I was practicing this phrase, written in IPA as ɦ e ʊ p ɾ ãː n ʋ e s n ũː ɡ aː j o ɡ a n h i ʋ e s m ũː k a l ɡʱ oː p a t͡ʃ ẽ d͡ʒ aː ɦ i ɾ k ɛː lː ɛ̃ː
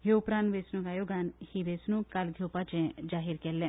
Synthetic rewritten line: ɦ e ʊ p ɾ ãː n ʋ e s n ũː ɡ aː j o ɡ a n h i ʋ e s n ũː k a l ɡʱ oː p a t͡ʃ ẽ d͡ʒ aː ɦ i ɾ k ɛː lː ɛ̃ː